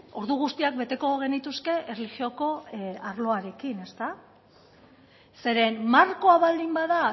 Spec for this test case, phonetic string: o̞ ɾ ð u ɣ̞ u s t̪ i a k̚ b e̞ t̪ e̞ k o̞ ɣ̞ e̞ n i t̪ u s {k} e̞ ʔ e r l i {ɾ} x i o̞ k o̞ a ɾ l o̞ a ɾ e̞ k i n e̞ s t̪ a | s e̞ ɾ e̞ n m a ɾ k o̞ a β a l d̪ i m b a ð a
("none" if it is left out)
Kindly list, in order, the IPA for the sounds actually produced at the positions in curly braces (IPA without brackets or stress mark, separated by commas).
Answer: k, none